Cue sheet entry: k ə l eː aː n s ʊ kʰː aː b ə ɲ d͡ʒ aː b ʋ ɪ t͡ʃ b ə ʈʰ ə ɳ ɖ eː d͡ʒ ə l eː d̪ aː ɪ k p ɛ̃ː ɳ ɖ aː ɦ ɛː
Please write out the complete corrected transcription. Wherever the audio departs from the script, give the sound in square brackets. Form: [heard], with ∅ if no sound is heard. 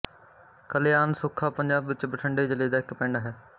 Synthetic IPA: k ə l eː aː n s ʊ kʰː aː [p] ə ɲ d͡ʒ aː b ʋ ɪ t͡ʃ b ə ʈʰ ə ɳ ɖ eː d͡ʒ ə l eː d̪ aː ɪ k p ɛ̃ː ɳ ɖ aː ɦ ɛː

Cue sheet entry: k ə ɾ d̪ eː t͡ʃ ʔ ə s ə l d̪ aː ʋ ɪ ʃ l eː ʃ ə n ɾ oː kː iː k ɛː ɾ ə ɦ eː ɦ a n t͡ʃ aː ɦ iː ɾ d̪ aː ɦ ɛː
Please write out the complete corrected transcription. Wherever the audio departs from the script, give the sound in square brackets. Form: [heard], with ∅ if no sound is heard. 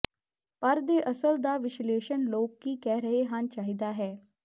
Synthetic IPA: [p] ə ɾ d̪ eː [∅] ʔ ə s ə l d̪ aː ʋ ɪ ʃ l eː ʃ ə n [l] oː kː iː k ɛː ɾ ə ɦ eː ɦ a n t͡ʃ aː ɦ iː [∅] d̪ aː ɦ ɛː

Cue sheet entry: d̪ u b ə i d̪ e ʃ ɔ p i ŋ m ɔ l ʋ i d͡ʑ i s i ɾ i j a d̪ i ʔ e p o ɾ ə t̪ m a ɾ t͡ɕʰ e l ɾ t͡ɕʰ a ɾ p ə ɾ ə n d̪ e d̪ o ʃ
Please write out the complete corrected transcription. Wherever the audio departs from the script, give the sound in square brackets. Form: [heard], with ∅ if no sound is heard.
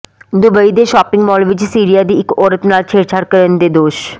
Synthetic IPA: d̪ u b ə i d̪ e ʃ ɔ p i ŋ m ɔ l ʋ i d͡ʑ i s i ɾ i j a d̪ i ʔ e [k] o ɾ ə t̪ [n] a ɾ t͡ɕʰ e [∅] ɾ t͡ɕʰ a ɾ [k] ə ɾ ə n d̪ e d̪ o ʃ

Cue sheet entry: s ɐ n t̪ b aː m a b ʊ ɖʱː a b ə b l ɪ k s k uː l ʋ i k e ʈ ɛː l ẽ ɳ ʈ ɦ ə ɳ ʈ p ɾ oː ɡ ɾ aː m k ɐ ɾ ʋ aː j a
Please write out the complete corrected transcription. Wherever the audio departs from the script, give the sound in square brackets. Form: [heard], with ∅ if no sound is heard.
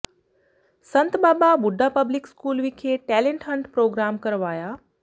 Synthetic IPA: s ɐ n t̪ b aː [b] a b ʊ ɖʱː a [p] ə b l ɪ k s k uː l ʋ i [kʰ] e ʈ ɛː l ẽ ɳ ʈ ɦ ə ɳ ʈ p ɾ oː ɡ ɾ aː m k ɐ ɾ ʋ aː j a

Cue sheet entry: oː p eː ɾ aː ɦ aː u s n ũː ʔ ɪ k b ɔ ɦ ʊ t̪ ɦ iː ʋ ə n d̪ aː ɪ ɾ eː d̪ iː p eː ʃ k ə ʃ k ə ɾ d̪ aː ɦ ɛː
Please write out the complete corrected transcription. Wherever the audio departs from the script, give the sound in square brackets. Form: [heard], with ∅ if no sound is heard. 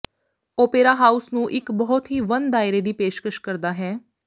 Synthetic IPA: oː p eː ɾ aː ɦ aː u s n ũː ʔ ɪ k b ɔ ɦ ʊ t̪ ɦ iː ʋ ə n d̪ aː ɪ ɾ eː d̪ iː p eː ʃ k ə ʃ k ə ɾ d̪ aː ɦ ɛː

